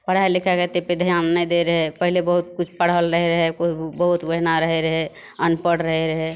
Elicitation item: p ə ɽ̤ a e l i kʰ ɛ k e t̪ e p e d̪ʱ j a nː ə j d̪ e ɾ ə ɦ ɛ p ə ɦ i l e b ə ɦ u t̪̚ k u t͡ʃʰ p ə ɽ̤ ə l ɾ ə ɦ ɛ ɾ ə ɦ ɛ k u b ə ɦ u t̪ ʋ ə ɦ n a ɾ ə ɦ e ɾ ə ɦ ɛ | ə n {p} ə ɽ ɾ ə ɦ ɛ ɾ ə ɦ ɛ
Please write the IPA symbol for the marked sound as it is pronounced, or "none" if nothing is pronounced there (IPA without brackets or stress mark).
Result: p